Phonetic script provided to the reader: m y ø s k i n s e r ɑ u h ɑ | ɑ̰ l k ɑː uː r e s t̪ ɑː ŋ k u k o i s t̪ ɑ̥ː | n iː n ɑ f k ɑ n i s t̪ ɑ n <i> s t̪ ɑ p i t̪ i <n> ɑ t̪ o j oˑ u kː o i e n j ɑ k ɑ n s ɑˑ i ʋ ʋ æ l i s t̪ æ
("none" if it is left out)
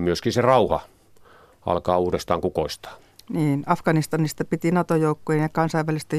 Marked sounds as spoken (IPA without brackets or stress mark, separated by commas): i, n